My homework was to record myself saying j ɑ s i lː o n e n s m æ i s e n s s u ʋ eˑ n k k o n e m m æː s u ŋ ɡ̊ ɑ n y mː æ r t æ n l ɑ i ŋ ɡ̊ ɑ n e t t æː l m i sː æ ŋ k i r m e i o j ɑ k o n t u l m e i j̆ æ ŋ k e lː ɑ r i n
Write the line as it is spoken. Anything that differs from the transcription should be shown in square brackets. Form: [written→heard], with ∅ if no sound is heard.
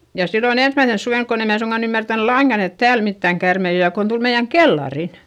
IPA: j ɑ s i lː o n e n s m æ i s e n s s u ʋ eˑ n k k o n e m m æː s u ŋ ɡ̊ ɑ n y mː æ r t æ n l ɑ i ŋ ɡ̊ ɑ n e t t æː l m i [sː→tː] æ ŋ k [i→æ] r m e i o j ɑ k o n t u l m e i j̆ æ ŋ k e lː ɑ r i n